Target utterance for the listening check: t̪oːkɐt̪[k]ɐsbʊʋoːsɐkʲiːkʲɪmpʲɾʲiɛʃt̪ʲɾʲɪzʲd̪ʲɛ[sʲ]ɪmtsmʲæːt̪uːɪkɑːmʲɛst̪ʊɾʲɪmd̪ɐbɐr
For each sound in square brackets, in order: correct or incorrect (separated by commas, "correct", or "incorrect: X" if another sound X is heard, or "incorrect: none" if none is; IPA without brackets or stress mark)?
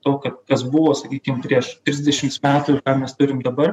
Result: correct, incorrect: ʃʲ